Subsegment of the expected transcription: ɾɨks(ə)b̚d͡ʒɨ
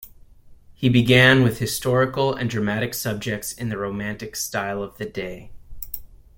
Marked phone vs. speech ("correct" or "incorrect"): incorrect